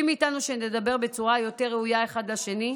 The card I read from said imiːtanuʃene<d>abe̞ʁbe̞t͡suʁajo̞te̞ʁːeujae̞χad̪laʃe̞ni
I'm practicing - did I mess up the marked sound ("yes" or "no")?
no